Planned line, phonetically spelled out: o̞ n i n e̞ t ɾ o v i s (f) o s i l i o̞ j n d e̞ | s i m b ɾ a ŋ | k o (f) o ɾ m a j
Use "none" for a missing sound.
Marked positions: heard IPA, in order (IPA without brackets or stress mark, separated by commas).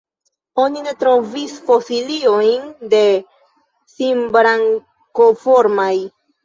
f, f